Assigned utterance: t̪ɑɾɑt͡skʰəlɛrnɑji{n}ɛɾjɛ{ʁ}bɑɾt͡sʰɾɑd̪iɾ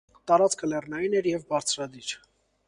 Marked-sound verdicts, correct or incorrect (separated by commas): correct, incorrect